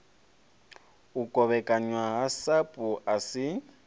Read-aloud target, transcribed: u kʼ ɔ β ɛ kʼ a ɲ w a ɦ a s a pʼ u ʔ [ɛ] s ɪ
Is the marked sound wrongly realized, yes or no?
yes